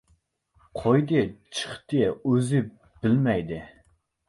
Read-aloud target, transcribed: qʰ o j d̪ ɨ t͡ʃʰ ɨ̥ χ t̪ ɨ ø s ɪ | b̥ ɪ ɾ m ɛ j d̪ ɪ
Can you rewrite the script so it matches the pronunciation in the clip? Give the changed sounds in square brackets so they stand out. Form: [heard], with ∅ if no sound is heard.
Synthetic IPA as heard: qʰ o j d̪ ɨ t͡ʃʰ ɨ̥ χ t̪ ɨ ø [z] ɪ | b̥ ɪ [l] m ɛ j d̪ ɪ

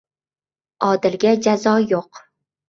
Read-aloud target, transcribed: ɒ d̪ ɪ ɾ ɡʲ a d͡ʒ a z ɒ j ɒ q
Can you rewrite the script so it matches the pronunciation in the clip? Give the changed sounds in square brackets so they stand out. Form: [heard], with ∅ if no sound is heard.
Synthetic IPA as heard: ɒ d̪ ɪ [l] ɡʲ a d͡ʒ a z ɒ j [o] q

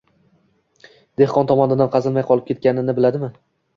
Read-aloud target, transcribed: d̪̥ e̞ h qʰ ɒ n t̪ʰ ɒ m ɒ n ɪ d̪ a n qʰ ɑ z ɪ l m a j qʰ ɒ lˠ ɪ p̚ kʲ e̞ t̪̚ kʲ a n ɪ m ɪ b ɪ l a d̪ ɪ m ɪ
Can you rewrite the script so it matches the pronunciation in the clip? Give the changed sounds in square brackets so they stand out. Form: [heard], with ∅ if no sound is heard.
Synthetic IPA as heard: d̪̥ e̞ h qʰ ɒ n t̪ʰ ɒ m ɒ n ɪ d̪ a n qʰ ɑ z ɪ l m a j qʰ ɒ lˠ ɪ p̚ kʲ e̞ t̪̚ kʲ a n ɪ [n] ɪ b ɪ l a d̪ ɪ m ɪ

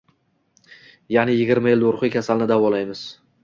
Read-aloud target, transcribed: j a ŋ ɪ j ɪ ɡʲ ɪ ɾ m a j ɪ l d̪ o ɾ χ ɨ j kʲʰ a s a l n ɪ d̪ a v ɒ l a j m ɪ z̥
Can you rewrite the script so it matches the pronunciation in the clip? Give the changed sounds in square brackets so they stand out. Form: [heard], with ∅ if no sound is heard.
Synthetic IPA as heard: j a [n] ɪ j ɪ ɡʲ ɪ ɾ m a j ɪ l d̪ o ɾ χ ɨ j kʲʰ a s a l n ɪ d̪ a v ɒ l a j m ɪ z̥

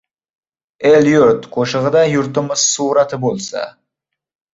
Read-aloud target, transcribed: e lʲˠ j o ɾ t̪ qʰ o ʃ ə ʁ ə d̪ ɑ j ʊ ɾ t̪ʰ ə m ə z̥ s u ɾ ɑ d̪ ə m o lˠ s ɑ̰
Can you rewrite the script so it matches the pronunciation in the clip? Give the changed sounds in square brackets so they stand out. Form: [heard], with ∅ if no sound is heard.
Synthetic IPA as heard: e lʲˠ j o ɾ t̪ qʰ o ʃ ə ʁ ə d̪ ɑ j ʊ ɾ [t̪] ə m ə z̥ s u ɾ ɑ [t̪] ə [b] o lˠ s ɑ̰

